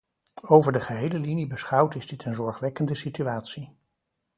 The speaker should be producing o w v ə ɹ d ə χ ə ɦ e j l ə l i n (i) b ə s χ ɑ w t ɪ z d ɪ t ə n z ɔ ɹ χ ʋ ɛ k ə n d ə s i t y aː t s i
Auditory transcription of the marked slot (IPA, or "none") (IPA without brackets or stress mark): i